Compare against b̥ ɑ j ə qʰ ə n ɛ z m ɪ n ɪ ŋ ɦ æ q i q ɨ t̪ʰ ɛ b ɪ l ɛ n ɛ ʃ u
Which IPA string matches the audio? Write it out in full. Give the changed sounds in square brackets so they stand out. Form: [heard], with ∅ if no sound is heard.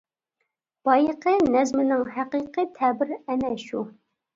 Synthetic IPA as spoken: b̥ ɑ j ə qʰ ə n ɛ z m ɪ n ɪ ŋ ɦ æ q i q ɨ t̪ʰ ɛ b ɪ [ɾ] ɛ n ɛ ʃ u